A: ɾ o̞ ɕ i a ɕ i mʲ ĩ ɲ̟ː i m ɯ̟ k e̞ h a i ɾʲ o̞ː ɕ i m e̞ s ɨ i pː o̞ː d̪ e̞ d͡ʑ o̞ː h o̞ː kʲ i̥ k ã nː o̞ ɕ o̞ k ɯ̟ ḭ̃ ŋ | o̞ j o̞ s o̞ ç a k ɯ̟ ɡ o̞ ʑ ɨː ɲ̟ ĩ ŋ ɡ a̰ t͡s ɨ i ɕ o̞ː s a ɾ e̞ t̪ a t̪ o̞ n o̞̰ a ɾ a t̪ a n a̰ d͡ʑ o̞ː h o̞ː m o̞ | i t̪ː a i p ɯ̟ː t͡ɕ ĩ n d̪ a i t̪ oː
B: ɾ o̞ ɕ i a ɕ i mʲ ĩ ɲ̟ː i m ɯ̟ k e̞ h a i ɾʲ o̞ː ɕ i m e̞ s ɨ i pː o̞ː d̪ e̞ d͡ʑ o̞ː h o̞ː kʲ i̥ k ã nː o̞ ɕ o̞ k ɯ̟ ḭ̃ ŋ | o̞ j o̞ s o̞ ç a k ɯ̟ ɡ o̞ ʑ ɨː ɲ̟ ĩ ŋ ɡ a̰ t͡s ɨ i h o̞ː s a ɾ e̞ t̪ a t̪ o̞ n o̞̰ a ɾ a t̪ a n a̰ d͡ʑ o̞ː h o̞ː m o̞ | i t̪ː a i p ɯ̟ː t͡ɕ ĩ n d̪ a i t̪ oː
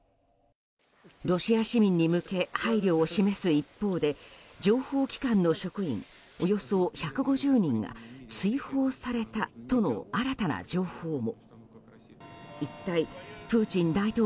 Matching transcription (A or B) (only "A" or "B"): B